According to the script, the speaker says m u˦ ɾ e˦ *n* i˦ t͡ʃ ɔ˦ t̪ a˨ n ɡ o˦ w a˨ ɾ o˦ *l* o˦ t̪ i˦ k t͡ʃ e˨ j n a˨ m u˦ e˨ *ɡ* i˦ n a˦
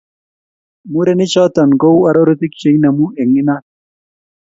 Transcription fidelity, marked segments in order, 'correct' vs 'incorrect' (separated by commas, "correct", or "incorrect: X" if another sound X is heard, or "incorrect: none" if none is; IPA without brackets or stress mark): correct, incorrect: ɾ, incorrect: ŋ